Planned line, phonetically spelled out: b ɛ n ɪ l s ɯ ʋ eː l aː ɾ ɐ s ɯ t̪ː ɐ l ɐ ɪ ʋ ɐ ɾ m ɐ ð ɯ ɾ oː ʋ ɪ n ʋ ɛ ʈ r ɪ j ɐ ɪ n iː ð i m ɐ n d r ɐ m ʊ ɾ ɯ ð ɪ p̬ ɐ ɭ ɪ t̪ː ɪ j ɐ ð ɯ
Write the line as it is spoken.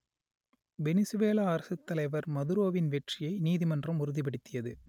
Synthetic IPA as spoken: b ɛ n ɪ s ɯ ʋ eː l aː ɾ ɐ s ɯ t̪ː ɐ l ɐ ɪ ʋ ɐ ɾ m ɐ ð ɯ ɾ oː ʋ ɪ n ʋ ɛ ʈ r ɪ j ɐ ɪ n iː ð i m ɐ n d r ɐ m ʊ ɾ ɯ ð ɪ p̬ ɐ ɽ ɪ t̪ː ɪ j ɐ ð ɯ